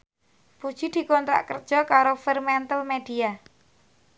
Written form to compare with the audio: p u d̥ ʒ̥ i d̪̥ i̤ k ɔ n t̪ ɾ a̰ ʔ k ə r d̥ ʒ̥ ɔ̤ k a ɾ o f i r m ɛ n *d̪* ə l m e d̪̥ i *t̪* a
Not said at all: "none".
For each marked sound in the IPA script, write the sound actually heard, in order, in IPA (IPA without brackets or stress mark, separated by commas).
t̪, none